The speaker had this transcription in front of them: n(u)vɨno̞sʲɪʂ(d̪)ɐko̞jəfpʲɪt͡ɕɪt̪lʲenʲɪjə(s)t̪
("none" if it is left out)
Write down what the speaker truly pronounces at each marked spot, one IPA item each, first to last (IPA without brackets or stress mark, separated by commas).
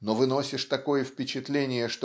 o, t̪, ʂ